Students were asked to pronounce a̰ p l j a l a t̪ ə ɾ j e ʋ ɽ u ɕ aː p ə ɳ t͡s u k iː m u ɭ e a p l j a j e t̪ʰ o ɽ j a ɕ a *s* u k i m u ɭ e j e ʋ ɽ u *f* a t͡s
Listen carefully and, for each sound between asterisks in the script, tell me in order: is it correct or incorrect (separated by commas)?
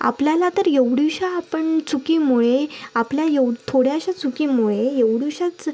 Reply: incorrect, incorrect